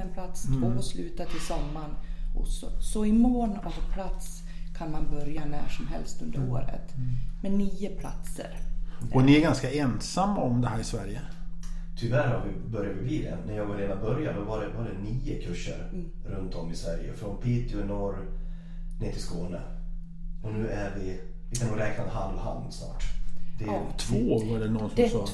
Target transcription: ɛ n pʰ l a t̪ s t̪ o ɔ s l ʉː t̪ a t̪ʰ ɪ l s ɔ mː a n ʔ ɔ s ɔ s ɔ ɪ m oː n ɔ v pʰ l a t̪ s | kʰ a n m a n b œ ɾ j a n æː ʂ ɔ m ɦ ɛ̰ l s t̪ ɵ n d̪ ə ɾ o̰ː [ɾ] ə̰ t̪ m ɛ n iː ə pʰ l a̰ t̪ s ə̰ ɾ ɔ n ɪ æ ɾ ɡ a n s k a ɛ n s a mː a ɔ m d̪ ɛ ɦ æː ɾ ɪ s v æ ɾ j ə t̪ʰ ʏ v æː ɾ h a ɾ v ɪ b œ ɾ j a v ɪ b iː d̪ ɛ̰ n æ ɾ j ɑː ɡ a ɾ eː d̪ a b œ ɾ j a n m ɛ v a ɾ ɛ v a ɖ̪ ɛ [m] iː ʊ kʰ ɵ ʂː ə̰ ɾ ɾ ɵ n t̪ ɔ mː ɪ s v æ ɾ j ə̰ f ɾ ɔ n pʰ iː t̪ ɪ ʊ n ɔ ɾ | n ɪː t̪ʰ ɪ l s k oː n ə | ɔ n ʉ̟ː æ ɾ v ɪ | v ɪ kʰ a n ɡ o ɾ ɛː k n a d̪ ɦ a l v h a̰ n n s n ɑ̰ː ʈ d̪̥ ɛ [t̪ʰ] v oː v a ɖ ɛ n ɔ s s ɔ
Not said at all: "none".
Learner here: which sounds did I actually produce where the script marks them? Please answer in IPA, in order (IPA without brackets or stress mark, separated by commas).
ɾ, n, t̪ʰ